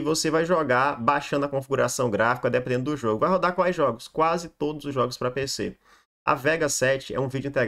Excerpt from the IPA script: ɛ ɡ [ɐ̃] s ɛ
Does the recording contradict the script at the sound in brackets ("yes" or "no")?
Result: yes